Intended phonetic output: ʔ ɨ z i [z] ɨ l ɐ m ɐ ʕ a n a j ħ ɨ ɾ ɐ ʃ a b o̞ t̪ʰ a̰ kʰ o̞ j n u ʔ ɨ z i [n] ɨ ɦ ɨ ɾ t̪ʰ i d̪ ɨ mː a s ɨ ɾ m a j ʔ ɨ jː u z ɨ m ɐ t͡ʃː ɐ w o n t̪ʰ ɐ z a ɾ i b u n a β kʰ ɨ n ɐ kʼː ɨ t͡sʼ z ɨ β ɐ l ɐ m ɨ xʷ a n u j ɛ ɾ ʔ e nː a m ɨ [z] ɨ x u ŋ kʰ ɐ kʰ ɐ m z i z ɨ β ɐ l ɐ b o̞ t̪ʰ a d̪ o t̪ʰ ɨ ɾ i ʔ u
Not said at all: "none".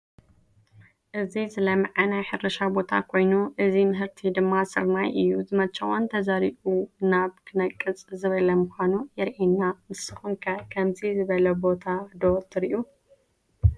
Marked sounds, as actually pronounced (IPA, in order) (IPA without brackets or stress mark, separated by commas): z, m, s